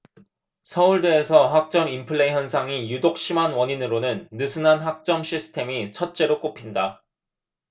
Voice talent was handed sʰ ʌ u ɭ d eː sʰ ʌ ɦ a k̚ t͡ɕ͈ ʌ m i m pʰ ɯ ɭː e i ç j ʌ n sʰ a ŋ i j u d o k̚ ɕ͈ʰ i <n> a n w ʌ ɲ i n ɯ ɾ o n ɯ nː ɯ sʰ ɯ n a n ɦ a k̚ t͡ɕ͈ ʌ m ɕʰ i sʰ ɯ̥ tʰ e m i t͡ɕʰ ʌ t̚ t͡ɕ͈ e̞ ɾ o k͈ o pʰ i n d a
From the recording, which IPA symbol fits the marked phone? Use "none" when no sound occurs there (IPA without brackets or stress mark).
m